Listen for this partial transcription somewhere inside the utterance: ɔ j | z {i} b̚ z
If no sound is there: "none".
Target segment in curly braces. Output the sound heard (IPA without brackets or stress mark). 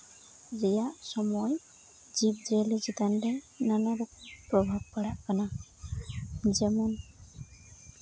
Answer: i